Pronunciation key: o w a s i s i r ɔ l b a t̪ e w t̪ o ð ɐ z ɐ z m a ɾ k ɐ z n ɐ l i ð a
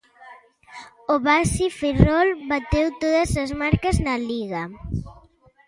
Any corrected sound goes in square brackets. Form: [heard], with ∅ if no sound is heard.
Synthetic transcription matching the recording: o [β] a s i [f] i r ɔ l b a t̪ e w t̪ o ð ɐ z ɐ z m a ɾ k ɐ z n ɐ l i [ɣ] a